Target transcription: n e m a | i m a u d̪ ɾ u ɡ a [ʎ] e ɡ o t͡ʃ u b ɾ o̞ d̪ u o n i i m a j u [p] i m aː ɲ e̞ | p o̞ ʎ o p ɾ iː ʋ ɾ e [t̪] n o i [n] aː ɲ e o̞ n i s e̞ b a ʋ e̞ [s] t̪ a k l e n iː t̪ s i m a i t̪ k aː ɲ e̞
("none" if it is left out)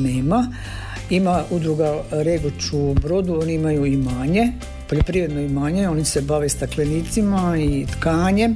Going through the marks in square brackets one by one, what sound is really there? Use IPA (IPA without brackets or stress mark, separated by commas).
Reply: ɾ, none, d̪, m, s